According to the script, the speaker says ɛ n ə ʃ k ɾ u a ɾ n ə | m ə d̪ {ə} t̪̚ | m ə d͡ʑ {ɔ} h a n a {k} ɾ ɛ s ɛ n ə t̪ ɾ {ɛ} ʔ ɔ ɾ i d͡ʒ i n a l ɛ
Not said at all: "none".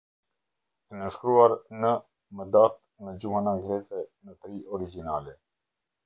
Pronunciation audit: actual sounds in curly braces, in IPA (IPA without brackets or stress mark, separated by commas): a, u, ɡ, i